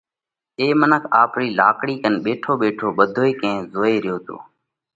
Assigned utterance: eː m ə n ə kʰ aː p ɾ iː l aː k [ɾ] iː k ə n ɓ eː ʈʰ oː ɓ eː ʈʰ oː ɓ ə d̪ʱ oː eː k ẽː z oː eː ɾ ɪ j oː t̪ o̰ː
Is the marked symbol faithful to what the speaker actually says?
no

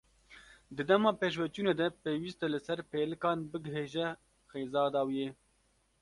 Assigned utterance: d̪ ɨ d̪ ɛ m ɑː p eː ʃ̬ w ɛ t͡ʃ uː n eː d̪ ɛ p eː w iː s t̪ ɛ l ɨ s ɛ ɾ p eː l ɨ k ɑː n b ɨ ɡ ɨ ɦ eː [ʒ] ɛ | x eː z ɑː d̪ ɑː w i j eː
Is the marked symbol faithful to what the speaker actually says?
yes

